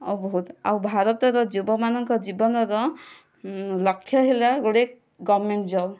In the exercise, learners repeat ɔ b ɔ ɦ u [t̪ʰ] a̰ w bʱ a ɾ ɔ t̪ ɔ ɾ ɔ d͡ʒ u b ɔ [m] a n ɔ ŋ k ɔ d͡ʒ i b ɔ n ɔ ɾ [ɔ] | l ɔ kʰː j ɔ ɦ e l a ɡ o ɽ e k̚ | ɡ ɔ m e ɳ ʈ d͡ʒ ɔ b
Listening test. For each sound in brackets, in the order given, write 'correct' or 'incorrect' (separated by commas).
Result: incorrect, correct, correct